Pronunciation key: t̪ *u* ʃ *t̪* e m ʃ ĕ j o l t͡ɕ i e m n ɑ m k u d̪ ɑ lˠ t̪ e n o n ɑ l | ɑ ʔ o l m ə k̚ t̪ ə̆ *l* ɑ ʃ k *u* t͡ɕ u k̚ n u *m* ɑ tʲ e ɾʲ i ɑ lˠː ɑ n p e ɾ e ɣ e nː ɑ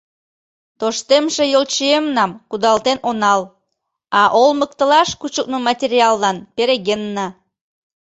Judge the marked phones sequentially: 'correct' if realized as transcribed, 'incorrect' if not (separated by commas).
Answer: incorrect, correct, correct, correct, correct